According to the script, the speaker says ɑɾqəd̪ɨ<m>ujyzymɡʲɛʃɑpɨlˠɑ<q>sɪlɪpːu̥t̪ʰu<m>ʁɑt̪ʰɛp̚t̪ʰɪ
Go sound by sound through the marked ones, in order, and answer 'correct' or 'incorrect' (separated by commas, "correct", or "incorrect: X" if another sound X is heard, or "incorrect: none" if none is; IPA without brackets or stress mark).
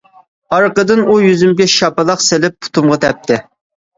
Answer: incorrect: n, correct, correct